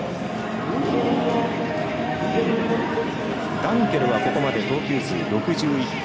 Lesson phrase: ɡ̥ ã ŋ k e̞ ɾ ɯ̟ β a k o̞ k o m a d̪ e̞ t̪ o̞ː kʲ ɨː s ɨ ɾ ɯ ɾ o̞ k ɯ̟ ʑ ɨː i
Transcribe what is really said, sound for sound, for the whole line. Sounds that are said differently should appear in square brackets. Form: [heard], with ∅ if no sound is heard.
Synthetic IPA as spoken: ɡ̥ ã ŋ k e̞ ɾ ɯ̟ β a k o̞ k o m a d̪ e̞ t̪ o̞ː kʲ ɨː s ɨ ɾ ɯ ɾ o̞ k ɯ̟ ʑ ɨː i

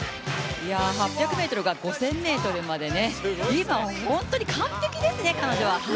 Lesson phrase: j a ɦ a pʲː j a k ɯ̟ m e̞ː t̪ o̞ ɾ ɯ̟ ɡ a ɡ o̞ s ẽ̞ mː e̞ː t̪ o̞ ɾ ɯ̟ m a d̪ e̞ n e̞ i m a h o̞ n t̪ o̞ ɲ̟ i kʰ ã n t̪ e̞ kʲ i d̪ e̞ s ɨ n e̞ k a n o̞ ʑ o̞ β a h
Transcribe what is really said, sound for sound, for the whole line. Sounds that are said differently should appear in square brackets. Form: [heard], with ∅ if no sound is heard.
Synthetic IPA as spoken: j a ɦ a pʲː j a k ɯ̟ m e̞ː t̪ o̞ ɾ ɯ̟ ɡ a ɡ o̞ s ẽ̞ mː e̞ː t̪ o̞ ɾ ɯ̟ m a d̪ e̞ n e̞ i m a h [õ̞] n t̪ o̞ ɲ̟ i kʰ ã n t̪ e̞ kʲ i d̪ e̞ s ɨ n e̞ k a n o̞ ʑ o̞ β a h

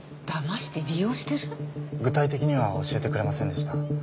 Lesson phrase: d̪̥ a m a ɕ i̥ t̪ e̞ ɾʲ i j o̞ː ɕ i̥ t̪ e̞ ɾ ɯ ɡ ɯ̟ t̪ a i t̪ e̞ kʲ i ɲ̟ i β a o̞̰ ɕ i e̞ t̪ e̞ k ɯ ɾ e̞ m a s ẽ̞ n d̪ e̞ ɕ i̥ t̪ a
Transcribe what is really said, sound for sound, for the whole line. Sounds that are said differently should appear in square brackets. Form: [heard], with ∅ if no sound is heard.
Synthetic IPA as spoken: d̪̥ a m a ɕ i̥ t̪ e̞ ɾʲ i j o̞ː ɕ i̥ t̪ e̞ ɾ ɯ ɡ ɯ̟ t̪ a i t̪ e̞ kʲ i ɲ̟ i β a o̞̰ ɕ i e̞ t̪ e̞ k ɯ ɾ e̞ m a s ẽ̞ n d̪ e̞ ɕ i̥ t̪ a

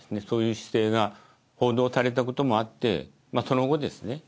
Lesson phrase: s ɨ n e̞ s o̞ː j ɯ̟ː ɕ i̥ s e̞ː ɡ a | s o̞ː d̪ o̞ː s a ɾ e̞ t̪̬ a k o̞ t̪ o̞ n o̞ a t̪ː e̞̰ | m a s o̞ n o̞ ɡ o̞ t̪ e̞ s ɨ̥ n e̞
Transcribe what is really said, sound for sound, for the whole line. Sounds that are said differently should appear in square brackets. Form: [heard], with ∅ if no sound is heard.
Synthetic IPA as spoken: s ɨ n e̞ s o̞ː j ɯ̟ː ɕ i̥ s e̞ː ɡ a | [h] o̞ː d̪ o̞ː s a ɾ e̞ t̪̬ a k o̞ t̪ o̞ [m] o̞ a t̪ː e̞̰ | m a s o̞ n o̞ ɡ o̞ [d̪] e̞ s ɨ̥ n e̞

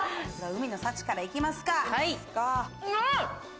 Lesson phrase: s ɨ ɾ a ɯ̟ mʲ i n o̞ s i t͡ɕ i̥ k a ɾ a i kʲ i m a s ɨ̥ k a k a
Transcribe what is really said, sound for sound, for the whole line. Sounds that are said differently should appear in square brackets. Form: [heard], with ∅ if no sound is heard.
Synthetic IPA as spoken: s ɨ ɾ a ɯ̟ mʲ i n o̞ s [a] t͡ɕ i̥ k a ɾ a i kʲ i m a s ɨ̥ k a k a

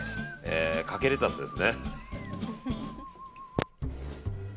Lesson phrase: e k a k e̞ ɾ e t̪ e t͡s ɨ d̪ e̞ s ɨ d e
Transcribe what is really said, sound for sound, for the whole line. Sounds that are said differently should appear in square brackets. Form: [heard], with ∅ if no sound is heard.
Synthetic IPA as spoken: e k a k e̞ ɾ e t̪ [a] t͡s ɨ d̪ e̞ s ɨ [n] e

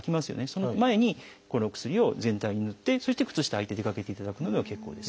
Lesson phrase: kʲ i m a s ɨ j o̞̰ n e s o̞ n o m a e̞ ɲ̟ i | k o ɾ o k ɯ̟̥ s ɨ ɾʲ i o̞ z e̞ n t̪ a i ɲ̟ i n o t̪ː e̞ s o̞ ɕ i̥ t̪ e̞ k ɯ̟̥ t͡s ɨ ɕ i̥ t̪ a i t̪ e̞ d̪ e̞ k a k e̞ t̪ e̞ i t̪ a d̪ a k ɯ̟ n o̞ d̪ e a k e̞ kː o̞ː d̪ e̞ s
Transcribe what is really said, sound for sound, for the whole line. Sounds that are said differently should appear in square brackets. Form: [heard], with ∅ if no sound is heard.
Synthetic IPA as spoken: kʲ i m a s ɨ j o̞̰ n e s o̞ n o m a e̞ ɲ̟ i | k o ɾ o k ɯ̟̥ s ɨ ɾʲ i o̞ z [ẽ̞] n t̪ a i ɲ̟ i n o t̪ː e̞ s o̞ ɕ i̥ t̪ e̞ k ɯ̟̥ t͡s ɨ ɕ i̥ t̪ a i t̪ e̞ d̪ e̞ k a k e̞ t̪ e̞ i t̪ a d̪ a k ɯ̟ n o̞ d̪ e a k e̞ kː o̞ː d̪ e̞ s

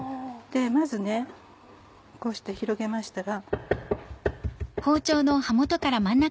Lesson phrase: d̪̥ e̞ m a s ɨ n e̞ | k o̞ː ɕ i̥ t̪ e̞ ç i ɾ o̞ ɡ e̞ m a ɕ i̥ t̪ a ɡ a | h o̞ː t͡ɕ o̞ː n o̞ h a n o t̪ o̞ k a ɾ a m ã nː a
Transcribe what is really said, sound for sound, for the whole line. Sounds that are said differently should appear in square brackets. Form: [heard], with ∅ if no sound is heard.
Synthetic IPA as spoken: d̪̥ e̞ m a [z] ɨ n e̞ | k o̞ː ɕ i̥ t̪ e̞ ç i ɾ o̞ ɡ e̞ m a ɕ i̥ t̪ a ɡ a | h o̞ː t͡ɕ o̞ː n o̞ h a [m] o t̪ o̞ k a ɾ a m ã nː a

